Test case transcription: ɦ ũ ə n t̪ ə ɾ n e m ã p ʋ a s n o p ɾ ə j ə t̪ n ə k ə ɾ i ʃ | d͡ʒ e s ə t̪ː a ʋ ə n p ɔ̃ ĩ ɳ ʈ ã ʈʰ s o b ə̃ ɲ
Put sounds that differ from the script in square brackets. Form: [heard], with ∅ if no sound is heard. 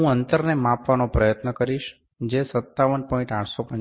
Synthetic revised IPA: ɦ ũ ə n t̪ ə ɾ n e m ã p ʋ a [∅] n o p ɾ ə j ə t̪ n ə k ə ɾ i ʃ | d͡ʒ e s ə t̪ː a ʋ ə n p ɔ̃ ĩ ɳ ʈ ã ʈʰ s o [p] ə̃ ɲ